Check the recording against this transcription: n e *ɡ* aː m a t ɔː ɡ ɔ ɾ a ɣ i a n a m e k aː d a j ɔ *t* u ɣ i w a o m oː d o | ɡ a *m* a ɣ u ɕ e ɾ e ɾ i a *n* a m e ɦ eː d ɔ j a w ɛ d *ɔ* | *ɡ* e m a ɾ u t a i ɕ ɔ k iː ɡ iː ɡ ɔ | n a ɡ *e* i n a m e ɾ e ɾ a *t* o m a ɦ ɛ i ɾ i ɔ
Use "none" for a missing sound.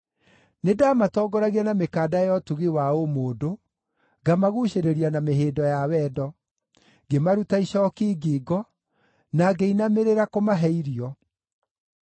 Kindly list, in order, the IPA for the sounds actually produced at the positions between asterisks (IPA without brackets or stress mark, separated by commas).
d, t, m, n, ɔ, ɡ, e, k